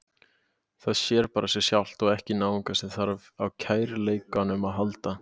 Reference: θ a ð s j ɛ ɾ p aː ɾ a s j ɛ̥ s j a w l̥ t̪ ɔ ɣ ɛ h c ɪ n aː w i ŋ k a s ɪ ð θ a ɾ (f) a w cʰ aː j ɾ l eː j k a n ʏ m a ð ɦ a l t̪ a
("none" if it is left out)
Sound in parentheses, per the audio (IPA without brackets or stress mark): v